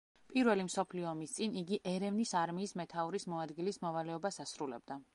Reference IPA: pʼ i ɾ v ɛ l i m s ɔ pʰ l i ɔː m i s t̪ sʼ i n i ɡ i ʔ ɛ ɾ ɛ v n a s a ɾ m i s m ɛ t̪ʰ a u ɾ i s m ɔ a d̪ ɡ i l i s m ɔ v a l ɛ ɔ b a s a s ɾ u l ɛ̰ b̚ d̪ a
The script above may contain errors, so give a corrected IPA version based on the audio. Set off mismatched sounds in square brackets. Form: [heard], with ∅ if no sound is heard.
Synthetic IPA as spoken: pʼ i ɾ v ɛ l i m s ɔ pʰ l i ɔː m i s t̪ sʼ i n i ɡ i ʔ ɛ ɾ ɛ v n [i] s a ɾ m [iː] s m ɛ t̪ʰ a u ɾ i s m ɔ a d̪ ɡ i l i s m ɔ v a l ɛ ɔ b a s a s ɾ u l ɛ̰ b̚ d̪ a